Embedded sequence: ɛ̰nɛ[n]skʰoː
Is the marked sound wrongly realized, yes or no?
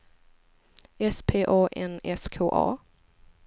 yes